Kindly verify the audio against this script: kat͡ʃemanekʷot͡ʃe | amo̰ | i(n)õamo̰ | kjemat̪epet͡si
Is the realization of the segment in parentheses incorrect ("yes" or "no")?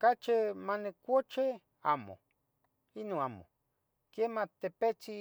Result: no